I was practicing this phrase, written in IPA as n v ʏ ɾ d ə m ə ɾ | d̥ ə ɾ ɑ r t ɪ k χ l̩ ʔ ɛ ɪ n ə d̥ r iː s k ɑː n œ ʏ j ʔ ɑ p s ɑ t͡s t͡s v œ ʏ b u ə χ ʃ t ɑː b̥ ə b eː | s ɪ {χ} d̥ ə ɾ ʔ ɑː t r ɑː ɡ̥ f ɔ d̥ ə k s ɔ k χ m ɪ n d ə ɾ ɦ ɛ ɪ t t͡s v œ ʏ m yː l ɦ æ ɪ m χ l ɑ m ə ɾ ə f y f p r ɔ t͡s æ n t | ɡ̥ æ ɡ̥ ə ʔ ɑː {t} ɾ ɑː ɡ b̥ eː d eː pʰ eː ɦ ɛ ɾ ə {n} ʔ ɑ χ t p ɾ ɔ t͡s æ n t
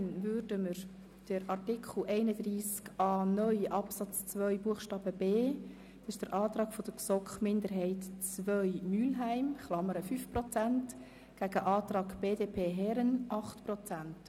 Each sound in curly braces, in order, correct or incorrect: incorrect: ʃ, correct, correct

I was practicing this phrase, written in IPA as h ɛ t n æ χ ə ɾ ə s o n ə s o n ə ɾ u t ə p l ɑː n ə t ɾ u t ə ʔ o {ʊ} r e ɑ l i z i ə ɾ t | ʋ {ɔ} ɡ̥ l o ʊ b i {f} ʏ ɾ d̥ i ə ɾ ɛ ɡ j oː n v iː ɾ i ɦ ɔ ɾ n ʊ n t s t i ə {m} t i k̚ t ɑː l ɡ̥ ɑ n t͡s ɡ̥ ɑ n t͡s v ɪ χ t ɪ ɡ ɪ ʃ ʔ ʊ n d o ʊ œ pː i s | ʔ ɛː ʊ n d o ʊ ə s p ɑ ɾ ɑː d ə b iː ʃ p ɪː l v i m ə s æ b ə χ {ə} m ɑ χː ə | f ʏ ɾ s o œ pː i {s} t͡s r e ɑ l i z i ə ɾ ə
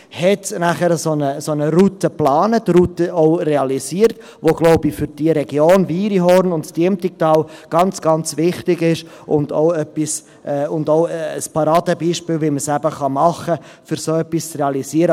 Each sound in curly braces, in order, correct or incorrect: correct, incorrect: o, correct, correct, incorrect: ɑ, correct

